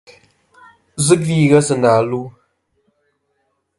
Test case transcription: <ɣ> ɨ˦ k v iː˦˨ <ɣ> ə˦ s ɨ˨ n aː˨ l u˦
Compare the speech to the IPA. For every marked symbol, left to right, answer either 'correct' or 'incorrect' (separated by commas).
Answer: incorrect, correct